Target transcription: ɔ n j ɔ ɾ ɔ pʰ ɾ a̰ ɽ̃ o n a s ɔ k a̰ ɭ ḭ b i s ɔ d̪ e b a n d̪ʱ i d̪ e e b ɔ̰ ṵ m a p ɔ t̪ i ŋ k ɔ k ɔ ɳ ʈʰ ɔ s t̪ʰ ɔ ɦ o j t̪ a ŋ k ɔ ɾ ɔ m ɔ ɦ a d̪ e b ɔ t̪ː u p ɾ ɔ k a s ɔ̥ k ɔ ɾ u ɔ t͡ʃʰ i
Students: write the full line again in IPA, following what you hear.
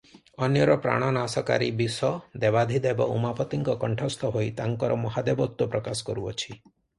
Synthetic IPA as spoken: ɔ n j ɔ ɾ ɔ p ɾ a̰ ɽ̃ ɔ n a s ɔ k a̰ ɾ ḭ b i s ɔ d̪ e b a d̪ʱ i d̪ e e b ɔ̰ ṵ m a p ɔ t̪ i ŋ k ɔ k ɔ ɳ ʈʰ ɔ s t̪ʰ ɔ ɦ o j t̪ a ŋ k ɔ ɾ ɔ m ɔ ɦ a d̪ e b ɔ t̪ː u p ɾ ɔ k a s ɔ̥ k ɔ ɾ u ɔ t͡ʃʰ i